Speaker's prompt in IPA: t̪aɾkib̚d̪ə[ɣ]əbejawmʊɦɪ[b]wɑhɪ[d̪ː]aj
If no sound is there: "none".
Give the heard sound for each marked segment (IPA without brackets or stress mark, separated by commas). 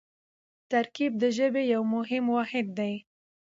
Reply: ʒ, m, d̪ː